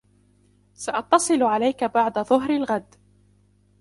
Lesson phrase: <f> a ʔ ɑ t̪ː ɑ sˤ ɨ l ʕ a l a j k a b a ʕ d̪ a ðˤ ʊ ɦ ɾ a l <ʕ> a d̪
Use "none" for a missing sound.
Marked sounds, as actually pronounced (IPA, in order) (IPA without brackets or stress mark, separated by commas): s, ɣ